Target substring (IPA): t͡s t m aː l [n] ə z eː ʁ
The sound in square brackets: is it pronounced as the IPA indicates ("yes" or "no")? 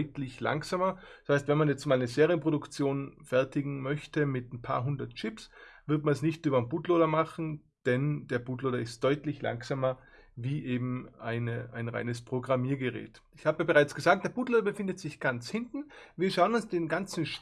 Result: yes